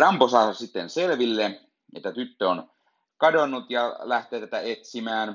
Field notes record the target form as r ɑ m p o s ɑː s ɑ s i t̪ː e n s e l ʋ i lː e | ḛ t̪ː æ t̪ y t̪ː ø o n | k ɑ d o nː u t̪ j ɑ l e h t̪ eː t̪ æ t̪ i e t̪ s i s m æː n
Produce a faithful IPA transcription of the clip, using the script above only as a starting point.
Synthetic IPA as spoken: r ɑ m p o s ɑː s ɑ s i t̪ː e n s e l ʋ i lː e | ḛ t̪ː æ t̪ y t̪ː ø o n | k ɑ d o nː u t̪ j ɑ l æ h t̪ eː t̪ æ t̪ æ e t̪ s i m æː n